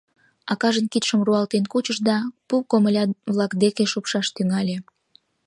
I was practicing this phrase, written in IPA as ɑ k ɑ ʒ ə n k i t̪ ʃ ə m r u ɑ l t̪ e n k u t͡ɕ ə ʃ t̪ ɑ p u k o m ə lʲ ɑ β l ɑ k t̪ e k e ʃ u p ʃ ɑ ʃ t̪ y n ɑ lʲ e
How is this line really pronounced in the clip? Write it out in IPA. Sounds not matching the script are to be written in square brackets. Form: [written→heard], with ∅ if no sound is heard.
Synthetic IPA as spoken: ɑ k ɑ ʒ ə n k i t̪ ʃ ə m r u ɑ l t̪ e n k u t͡ɕ ə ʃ [t̪→d̪] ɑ p u k o m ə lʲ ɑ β l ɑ k [t̪→d̪] e k e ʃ u p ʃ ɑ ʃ t̪ y [n→ŋ] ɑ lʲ e